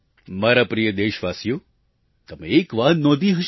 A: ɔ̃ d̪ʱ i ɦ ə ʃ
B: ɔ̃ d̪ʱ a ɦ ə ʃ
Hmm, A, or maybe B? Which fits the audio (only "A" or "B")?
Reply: A